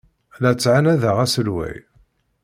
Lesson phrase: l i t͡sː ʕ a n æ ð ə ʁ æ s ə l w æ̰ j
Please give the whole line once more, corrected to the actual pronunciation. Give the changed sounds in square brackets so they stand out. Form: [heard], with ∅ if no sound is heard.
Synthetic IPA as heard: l [æ] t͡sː ʕ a n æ ð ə ʁ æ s ə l w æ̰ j